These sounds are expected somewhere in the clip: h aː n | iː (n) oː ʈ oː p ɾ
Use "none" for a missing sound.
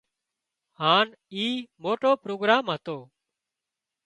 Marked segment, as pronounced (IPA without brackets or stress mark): m